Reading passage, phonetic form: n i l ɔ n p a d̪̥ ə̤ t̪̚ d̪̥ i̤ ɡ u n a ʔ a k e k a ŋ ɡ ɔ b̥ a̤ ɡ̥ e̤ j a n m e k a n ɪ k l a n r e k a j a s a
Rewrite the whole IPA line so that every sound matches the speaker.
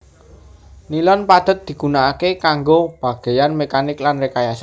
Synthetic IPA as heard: n i l ɔ n p a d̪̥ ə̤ t̪̚ d̪̥ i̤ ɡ u n a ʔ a k e k a ŋ ɡ o b̥ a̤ ɡ̥ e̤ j a n m e k a n ɪ k l a n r e k a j a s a